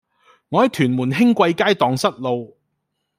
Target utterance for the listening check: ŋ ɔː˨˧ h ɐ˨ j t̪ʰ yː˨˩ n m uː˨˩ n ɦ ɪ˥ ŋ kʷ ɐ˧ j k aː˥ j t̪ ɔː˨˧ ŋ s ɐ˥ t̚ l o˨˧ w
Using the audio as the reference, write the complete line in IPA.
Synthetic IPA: ŋ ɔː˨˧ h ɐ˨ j t̪ʰ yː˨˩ n m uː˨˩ n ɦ ɪ˥ ŋ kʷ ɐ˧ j k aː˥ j t̪ ɔː˨˧ ŋ s ɐ˥ t̚ l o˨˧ w